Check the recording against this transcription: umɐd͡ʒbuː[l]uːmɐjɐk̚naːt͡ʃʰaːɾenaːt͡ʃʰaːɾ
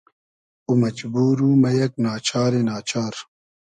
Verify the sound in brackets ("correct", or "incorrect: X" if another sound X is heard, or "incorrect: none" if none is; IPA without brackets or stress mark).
incorrect: ɾ